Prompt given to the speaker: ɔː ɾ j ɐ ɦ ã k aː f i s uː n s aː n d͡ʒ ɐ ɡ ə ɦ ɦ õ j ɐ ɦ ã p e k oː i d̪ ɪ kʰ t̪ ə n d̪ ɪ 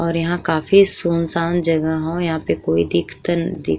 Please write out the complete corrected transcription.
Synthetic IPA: ɔː ɾ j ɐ ɦ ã k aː f i s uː n s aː n d͡ʒ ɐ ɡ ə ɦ ɦ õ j ɐ ɦ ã p e k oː i d̪ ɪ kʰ t̪ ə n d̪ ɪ